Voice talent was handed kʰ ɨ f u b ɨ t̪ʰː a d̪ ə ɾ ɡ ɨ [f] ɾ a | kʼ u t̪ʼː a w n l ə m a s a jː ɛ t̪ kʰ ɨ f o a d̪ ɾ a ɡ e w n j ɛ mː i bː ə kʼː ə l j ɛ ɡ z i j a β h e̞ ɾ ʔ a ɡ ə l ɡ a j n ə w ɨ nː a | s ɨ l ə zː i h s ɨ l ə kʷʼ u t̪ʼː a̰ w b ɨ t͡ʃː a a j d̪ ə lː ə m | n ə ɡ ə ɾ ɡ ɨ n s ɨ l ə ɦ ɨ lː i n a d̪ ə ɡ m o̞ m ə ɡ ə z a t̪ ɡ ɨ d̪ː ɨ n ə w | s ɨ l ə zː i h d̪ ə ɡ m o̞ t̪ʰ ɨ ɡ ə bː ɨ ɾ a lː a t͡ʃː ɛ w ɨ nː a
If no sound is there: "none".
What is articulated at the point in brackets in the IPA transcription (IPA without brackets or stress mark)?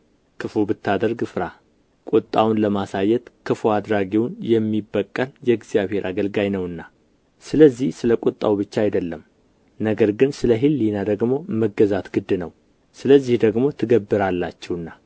f